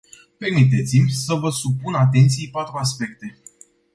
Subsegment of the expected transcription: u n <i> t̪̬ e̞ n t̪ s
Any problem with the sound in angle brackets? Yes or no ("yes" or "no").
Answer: yes